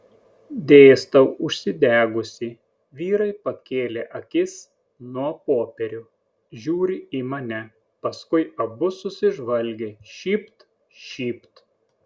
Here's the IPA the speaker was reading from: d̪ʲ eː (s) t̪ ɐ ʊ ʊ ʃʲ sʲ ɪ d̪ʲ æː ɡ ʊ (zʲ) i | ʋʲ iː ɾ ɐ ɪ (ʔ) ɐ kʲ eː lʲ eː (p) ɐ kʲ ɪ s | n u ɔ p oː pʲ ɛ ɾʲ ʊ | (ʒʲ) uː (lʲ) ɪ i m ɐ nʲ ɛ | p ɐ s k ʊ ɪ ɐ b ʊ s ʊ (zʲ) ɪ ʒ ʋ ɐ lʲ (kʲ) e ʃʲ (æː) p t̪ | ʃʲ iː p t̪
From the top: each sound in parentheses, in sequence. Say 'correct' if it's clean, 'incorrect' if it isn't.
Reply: correct, incorrect, incorrect, incorrect, correct, incorrect, incorrect, incorrect, incorrect

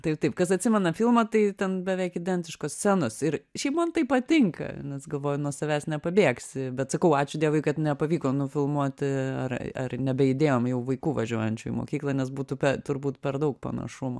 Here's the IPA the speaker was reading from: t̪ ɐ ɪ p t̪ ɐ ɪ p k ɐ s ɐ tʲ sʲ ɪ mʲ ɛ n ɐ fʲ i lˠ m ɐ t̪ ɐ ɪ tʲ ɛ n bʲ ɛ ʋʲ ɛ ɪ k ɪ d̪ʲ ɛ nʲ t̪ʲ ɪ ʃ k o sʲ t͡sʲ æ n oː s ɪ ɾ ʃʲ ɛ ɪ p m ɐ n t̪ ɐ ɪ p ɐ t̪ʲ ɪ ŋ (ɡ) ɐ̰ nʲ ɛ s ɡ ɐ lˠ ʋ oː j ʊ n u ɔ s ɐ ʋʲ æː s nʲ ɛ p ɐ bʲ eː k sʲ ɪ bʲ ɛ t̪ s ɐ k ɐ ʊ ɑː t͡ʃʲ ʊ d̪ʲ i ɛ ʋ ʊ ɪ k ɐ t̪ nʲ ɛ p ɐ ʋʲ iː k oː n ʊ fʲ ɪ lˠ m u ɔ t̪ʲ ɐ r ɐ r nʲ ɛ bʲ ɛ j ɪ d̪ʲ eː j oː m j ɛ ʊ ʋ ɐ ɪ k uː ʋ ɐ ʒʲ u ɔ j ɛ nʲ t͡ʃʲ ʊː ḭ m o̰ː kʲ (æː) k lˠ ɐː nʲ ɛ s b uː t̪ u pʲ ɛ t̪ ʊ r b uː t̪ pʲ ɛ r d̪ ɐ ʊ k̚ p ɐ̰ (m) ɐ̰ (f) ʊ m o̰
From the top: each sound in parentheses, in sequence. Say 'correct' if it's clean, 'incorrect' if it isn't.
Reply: incorrect, incorrect, incorrect, incorrect

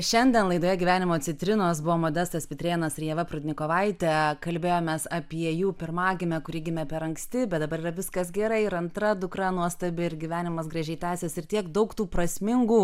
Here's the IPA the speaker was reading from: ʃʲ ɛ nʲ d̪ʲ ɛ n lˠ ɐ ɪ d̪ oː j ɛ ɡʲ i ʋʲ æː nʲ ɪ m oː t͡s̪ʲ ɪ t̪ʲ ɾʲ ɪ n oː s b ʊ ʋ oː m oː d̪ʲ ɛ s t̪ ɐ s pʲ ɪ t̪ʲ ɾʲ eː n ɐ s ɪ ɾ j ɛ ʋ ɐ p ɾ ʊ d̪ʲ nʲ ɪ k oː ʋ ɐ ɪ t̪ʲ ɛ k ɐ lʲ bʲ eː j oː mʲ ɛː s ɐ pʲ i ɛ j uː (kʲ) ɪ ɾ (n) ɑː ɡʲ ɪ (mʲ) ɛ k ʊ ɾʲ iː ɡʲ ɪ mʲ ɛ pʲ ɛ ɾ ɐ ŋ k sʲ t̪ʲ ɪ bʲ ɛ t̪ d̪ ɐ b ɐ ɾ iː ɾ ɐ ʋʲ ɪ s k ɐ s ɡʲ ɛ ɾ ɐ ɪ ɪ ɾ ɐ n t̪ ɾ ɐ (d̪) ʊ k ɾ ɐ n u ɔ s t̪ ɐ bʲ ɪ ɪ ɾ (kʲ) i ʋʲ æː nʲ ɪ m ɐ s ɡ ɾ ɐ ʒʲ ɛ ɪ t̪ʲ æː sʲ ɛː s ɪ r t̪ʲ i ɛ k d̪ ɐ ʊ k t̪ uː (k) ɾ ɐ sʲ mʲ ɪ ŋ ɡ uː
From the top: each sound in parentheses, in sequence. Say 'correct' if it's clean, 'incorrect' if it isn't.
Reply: incorrect, incorrect, correct, correct, incorrect, incorrect

